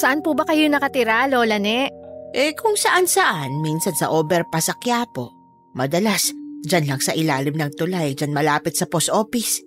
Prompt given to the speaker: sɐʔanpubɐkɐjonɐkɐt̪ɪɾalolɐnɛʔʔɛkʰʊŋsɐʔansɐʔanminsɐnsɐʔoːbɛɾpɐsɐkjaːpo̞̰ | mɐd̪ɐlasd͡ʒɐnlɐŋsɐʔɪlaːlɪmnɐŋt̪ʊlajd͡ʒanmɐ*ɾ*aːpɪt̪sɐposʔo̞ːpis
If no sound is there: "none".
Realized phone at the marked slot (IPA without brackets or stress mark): l